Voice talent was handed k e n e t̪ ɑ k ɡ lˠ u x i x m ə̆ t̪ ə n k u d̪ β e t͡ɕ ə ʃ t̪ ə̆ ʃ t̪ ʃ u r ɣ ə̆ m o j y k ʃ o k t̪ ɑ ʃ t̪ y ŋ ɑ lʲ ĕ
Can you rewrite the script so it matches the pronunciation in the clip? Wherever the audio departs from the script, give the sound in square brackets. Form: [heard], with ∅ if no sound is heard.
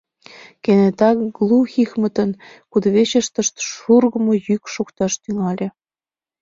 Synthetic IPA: k e n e t̪ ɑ k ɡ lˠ u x i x m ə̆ t̪ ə n k u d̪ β e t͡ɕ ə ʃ t̪ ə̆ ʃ t̪ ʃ u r ɣ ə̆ m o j y k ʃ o k t̪ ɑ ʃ t̪ y ŋ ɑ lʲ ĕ